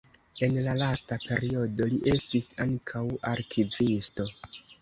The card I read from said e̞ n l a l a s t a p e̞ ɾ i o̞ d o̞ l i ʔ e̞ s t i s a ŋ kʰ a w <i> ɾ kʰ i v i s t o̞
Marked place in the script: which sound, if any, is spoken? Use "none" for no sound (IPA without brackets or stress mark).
a